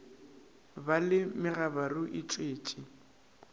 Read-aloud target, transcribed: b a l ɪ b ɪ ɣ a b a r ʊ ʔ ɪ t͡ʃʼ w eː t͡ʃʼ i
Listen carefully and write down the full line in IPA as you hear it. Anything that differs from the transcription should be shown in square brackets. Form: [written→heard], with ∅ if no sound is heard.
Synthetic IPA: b a l ɪ [b→m] ɪ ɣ a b a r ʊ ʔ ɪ t͡ʃʼ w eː t͡ʃʼ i